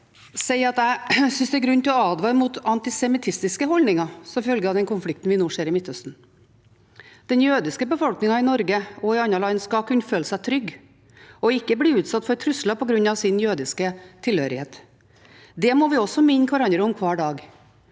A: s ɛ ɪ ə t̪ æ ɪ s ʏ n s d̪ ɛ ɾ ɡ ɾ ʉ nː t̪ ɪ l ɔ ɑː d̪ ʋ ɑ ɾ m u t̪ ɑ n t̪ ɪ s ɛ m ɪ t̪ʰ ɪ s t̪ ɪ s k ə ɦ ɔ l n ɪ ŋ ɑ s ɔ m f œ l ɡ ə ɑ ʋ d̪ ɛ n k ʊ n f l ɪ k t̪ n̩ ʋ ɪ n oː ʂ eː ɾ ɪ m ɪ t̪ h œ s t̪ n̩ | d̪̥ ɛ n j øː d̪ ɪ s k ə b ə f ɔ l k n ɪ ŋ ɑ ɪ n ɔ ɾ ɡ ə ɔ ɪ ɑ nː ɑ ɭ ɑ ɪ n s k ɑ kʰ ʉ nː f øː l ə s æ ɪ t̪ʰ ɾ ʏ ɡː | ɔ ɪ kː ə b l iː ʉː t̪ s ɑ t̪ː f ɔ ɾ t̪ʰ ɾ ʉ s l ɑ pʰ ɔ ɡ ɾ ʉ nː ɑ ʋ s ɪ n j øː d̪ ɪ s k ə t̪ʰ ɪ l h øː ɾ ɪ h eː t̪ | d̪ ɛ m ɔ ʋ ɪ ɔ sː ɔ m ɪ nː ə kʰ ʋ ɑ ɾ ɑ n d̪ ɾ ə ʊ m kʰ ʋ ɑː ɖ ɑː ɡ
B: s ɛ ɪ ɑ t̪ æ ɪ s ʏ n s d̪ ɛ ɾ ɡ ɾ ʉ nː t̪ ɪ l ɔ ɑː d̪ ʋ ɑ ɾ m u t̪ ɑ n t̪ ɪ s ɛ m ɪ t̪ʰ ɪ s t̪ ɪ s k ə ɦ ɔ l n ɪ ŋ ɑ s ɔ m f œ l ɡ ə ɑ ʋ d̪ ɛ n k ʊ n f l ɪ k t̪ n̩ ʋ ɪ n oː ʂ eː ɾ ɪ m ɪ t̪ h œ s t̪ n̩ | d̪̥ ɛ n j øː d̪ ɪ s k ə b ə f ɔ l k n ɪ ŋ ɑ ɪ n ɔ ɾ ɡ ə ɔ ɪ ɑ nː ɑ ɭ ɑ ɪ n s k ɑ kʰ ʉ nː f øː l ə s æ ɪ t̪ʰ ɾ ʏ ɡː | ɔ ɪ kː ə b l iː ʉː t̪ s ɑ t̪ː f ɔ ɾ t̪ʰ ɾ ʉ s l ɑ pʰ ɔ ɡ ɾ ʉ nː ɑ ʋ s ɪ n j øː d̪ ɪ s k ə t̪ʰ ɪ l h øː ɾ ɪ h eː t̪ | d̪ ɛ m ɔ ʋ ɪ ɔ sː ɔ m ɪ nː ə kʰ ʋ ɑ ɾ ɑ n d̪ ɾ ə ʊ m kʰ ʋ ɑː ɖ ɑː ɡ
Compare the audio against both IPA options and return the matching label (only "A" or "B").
B